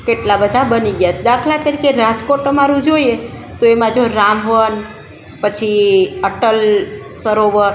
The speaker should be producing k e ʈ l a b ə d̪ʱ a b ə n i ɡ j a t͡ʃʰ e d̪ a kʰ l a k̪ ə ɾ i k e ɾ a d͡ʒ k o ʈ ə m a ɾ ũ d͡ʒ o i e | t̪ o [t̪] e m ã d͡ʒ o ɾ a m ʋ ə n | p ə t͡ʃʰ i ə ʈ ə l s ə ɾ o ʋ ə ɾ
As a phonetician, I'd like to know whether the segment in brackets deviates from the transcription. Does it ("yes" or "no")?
yes